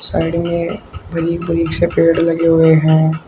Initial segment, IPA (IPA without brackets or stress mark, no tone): s